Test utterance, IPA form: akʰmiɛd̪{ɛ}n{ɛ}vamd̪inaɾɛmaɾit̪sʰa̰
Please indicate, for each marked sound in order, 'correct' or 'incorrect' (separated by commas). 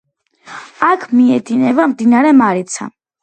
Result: incorrect, correct